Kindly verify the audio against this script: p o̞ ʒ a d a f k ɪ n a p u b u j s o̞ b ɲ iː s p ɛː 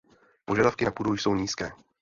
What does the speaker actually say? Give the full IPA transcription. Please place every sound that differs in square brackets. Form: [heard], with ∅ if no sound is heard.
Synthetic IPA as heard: p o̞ ʒ a d a f k ɪ n a p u [d] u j s o̞ [w] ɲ iː s [k] ɛː